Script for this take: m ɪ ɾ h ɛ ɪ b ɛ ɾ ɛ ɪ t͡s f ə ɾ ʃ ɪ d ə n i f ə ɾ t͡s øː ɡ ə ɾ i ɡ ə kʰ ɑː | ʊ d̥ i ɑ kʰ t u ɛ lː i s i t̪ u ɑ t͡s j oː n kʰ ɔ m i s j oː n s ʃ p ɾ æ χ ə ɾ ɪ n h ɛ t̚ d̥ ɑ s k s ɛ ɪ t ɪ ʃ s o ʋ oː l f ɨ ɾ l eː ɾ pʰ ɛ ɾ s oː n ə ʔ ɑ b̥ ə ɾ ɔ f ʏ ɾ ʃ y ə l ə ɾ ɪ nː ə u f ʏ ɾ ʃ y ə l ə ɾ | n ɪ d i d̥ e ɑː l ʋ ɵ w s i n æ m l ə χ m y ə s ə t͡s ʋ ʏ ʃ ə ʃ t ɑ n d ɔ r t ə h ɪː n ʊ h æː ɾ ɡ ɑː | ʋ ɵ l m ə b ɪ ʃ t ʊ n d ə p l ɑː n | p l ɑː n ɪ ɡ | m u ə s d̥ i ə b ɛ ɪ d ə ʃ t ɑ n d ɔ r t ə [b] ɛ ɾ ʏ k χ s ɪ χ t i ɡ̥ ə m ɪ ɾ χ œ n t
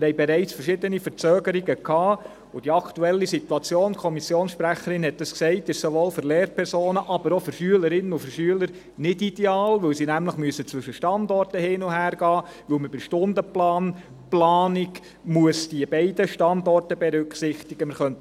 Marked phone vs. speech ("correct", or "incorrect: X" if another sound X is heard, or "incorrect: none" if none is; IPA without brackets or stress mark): correct